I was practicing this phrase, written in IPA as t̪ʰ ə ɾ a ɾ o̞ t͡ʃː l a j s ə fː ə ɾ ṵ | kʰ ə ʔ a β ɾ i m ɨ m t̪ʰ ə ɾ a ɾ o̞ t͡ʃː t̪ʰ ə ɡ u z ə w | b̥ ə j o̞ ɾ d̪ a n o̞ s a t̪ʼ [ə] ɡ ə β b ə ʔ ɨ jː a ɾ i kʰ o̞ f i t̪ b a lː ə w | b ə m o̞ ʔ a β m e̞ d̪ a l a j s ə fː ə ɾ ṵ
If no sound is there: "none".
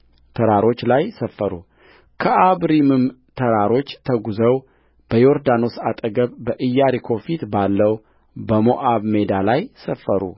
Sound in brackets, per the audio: ə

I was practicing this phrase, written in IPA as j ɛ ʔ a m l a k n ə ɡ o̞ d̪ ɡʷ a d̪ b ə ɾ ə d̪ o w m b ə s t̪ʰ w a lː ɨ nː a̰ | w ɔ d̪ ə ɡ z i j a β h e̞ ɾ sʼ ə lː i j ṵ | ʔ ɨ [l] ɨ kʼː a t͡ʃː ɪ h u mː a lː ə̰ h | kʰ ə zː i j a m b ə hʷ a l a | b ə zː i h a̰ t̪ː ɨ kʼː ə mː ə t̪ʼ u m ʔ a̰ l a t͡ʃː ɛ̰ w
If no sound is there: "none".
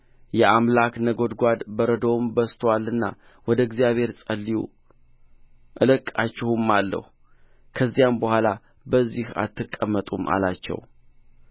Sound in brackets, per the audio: l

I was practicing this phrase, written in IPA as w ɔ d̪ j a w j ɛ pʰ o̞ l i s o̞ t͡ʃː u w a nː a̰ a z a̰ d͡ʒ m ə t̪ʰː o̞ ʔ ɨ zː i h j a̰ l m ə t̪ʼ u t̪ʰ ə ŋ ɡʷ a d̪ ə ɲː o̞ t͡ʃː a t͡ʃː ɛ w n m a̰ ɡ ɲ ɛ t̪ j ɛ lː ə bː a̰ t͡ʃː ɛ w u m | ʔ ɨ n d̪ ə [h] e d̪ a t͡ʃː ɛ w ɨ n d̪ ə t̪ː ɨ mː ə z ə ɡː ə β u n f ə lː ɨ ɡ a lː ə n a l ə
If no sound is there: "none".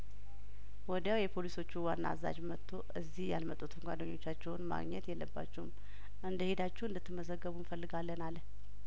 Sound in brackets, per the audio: h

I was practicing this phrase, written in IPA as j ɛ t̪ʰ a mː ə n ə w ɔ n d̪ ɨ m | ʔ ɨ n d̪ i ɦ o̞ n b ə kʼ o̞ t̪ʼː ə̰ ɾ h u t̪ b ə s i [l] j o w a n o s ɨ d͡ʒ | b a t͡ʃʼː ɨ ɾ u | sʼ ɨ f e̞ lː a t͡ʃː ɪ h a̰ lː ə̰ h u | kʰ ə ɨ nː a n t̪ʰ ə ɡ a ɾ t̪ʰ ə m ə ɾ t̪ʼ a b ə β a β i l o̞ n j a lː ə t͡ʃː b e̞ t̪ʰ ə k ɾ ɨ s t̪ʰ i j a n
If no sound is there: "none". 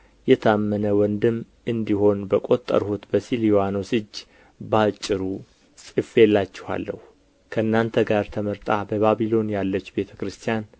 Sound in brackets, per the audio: l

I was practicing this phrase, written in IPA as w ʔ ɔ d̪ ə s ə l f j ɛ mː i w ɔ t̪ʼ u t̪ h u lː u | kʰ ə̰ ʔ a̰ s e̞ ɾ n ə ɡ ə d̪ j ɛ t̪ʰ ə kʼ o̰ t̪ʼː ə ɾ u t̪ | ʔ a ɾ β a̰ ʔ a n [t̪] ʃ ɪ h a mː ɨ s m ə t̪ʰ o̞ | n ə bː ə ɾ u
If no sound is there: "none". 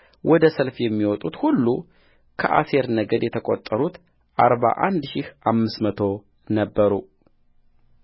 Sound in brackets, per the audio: d̪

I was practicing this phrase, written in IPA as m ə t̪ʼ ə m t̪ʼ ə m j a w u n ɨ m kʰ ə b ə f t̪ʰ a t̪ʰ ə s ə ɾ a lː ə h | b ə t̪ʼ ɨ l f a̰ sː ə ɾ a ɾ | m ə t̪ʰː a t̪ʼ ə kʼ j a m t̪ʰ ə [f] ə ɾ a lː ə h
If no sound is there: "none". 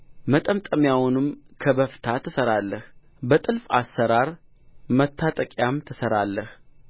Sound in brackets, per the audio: s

